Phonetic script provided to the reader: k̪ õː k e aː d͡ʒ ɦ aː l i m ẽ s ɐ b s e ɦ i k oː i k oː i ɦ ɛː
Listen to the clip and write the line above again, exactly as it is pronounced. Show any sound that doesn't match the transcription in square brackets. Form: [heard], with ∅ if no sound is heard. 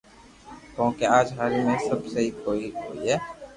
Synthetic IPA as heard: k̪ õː k e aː d͡ʒ ɦ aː [ɾ] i m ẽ s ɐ b s e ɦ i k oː i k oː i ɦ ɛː